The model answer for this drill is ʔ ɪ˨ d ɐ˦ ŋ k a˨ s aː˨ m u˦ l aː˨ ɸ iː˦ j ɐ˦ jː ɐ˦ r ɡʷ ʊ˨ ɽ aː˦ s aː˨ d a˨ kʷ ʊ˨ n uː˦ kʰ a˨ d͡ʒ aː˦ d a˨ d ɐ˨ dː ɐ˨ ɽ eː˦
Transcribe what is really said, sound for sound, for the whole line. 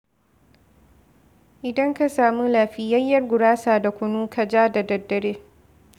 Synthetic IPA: ʔ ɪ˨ d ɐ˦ ŋ k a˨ s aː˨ m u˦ l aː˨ ɸ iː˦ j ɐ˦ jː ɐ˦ r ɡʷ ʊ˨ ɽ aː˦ s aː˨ d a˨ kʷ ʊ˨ n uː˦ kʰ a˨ d͡ʒ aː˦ d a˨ d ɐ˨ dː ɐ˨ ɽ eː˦

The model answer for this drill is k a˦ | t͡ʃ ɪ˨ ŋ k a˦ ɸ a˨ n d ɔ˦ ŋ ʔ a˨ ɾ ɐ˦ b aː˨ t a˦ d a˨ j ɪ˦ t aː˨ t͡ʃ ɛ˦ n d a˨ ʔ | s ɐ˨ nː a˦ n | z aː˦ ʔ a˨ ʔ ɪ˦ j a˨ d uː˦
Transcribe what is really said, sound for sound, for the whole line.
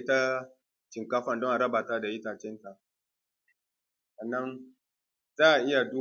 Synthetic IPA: t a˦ | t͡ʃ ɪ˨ ŋ k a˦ ɸ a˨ n d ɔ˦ ŋ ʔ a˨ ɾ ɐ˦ b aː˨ t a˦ d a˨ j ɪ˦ t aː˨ t͡ʃ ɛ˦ n t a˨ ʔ | s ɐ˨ nː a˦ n | z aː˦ ʔ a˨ ʔ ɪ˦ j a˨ d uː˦

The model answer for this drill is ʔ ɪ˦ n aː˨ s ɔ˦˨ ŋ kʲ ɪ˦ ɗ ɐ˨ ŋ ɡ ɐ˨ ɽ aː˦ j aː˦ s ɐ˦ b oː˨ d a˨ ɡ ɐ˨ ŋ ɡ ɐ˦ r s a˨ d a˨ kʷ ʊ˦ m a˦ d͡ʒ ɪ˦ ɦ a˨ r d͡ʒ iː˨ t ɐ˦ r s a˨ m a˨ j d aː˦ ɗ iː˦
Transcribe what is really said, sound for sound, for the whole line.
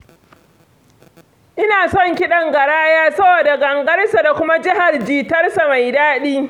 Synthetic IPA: ʔ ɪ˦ n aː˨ s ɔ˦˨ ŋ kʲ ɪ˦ ɗ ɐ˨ ŋ ɡ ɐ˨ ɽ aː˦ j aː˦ s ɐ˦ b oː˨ d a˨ ɡ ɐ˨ ŋ ɡ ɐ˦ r s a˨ d a˨ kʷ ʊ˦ m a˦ d͡ʒ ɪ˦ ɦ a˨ r d͡ʒ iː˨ t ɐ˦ r s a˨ m a˨ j d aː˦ ɗ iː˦

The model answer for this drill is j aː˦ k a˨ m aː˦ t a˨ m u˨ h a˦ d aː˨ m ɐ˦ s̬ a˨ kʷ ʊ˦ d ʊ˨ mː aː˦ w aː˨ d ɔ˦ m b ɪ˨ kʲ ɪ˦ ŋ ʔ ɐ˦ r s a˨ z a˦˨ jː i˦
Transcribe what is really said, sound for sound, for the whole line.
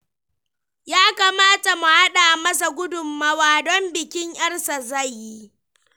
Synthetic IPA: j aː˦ k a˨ m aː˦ t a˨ m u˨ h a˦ ɗ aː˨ m ɐ˦ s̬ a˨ ɡʷ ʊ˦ d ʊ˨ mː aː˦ w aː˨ d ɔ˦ m b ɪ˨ kʲ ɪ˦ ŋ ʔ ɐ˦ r s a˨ z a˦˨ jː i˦

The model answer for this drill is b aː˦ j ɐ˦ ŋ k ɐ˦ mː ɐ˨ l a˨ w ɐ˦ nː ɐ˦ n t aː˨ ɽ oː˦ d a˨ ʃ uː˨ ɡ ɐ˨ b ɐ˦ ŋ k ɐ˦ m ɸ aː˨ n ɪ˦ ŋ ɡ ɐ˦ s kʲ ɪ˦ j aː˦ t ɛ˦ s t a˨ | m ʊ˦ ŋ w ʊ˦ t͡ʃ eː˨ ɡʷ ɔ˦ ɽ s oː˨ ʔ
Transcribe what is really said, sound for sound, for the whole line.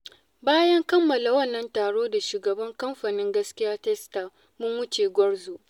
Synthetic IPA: b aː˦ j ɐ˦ ŋ k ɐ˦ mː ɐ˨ l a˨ w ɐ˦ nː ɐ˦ n t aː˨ ɽ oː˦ d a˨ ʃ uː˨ ɡ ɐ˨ b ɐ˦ ŋ k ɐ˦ m ɸ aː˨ n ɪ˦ ŋ ɡ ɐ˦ s kʲ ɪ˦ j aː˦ t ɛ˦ s t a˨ | m ʊ˦ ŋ w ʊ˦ t͡ʃ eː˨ ɡʷ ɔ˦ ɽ z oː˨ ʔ

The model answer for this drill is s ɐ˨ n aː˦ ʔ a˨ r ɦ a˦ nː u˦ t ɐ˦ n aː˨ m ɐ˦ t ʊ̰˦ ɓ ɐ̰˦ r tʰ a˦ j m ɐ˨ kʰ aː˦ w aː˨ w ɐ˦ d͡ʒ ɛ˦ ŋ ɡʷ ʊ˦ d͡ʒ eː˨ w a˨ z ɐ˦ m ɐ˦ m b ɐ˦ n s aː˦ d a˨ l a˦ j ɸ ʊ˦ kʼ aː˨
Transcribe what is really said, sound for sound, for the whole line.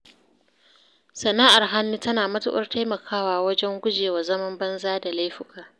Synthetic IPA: s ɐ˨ n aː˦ ʔ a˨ r ɦ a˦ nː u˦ t ɐ˦ n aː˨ m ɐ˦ t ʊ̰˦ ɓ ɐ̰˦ r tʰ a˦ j m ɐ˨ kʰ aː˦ w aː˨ w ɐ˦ d͡ʒ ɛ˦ ŋ ɡʷ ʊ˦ d͡ʒ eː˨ w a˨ z ɐ˦ m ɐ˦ m b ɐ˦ n z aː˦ d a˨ l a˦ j ɸ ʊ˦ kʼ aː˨

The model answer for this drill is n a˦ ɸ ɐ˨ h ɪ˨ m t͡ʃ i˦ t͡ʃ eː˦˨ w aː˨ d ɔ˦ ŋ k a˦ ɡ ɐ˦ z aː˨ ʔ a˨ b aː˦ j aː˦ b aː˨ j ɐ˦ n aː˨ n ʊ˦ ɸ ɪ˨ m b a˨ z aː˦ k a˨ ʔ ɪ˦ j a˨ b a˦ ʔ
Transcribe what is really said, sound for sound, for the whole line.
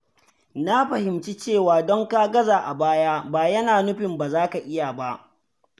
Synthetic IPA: n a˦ ɸ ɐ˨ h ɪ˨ m t͡ʃ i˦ t͡ʃ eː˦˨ w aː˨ d ɔ˦ ŋ k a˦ ɡ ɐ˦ z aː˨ ʔ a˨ b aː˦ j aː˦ b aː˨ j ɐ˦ n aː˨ n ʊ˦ ɸ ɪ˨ m b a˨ z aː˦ k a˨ ʔ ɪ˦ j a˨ b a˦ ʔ

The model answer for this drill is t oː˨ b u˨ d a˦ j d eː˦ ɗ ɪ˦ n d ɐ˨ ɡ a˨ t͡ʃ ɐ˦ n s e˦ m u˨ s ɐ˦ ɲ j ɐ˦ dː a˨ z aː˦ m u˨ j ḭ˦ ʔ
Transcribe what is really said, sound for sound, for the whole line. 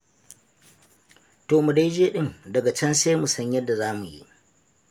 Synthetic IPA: t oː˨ m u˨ d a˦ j d͡ʒ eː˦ ɗ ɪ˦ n d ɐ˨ ɡ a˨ t͡ʃ ɐ˦ n s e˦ m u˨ s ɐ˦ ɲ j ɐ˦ dː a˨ z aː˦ m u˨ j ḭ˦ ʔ

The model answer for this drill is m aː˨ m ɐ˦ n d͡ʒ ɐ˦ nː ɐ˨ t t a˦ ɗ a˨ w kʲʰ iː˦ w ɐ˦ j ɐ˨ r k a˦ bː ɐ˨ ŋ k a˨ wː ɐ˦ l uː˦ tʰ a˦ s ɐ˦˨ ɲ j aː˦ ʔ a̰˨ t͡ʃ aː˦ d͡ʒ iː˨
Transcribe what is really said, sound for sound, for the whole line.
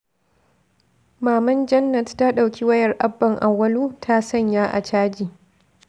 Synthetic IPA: m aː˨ m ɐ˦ n d͡ʒ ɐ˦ nː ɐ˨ t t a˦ ɗ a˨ w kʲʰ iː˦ w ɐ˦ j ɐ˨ r ʔ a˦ bː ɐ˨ ŋ ʔ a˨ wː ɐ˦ l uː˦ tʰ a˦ s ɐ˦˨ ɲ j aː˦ ʔ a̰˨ t͡ʃ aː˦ d͡ʒ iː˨

